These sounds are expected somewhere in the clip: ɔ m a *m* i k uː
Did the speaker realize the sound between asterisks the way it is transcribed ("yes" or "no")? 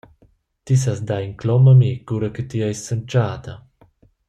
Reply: yes